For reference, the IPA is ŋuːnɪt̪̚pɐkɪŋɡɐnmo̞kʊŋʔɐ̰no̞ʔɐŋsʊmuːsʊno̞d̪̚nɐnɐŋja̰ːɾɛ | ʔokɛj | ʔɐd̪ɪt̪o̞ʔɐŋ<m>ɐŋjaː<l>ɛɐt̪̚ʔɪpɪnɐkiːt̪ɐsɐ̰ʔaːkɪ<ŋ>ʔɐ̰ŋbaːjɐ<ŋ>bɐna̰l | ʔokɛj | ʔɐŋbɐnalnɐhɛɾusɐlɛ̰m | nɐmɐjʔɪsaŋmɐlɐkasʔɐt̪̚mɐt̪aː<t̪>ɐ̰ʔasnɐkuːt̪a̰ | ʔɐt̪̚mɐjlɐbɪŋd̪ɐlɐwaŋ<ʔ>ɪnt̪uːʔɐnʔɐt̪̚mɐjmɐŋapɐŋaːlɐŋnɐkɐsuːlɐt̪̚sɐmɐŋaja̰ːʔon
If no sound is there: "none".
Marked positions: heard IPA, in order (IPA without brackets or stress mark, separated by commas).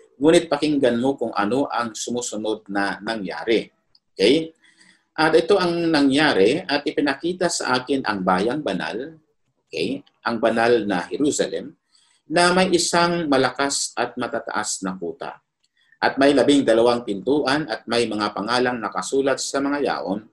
n, ɾ, n, ŋ, t̪, p